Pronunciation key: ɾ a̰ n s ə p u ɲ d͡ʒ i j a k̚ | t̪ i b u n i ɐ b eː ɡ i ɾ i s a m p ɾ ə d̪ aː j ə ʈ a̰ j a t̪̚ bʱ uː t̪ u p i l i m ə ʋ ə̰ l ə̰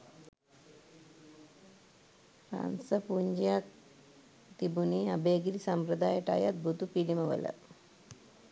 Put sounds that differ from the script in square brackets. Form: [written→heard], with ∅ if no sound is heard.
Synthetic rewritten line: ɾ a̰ n s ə p u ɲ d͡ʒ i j a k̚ | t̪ i b u n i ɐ b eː ɡ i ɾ i s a m p ɾ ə d̪ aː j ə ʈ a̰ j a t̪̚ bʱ [uː→u] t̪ u p i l i m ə ʋ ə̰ l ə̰

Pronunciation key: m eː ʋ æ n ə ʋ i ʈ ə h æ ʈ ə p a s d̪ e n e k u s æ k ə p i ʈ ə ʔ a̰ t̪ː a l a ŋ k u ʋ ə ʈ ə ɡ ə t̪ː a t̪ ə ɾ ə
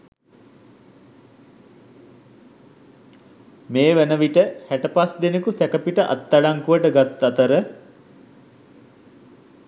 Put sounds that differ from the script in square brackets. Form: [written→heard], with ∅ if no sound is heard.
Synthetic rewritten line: m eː ʋ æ n ə ʋ i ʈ ə h æ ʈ ə p a s d̪ e n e k u s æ k ə p i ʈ ə ʔ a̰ t̪ː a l a ŋ k u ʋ ə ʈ ə ɡ [ə→a] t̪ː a t̪ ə ɾ ə

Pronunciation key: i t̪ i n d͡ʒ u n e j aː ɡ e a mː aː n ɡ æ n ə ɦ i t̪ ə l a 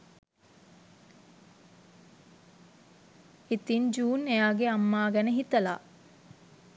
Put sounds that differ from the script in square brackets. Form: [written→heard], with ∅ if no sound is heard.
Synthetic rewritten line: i t̪ i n d͡ʒ [u→uː] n e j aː ɡ e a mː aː [n→∅] ɡ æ n ə ɦ i t̪ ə l a

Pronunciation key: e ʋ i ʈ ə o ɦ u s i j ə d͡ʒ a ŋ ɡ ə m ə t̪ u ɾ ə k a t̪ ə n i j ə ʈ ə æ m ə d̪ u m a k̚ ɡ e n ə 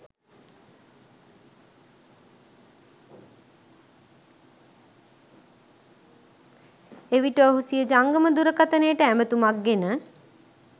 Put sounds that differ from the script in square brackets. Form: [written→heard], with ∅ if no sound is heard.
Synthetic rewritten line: e ʋ i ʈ ə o ɦ u s i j ə d͡ʒ a ŋ ɡ ə m ə [t̪→d̪] u ɾ ə k a t̪ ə n [i→e] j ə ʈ ə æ m ə [d̪→t̪] u m a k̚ ɡ e n ə

